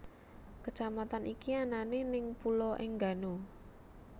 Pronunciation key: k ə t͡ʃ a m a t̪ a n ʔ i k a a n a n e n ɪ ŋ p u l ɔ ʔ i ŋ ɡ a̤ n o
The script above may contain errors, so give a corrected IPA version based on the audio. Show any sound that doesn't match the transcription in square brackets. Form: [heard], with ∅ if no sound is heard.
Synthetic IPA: k ə t͡ʃ a m a t̪ a n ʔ i k [i] a n a n e n ɪ ŋ p u l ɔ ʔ [ɪ] ŋ ɡ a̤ n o